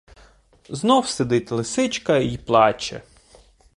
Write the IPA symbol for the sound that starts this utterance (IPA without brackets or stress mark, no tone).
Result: z